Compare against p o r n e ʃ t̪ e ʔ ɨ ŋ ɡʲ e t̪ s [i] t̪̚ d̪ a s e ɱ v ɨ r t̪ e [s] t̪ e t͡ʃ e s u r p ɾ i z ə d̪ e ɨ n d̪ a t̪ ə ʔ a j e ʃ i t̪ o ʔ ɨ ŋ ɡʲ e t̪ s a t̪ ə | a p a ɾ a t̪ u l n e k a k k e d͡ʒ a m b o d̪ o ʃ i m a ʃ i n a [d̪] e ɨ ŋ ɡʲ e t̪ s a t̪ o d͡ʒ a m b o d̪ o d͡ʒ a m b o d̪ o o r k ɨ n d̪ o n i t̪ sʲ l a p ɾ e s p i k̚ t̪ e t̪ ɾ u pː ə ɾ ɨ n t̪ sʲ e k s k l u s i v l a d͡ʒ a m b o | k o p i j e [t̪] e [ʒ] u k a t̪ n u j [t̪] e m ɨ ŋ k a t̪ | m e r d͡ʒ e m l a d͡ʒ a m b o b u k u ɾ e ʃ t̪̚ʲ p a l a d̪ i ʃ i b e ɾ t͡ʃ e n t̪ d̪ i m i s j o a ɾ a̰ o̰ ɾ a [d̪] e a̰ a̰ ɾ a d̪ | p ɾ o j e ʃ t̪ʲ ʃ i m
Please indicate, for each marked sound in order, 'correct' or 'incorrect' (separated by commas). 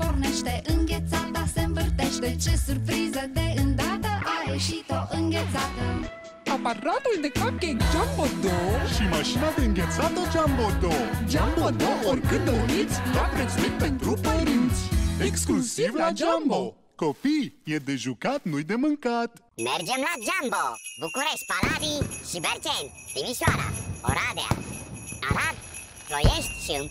incorrect, incorrect, correct, incorrect, correct, incorrect, correct